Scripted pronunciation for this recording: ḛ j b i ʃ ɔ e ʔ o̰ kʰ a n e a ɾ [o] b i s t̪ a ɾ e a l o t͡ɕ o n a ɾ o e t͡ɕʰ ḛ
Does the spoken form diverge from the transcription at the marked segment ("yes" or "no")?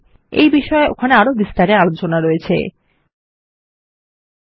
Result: no